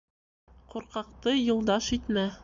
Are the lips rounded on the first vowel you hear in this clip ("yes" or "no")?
yes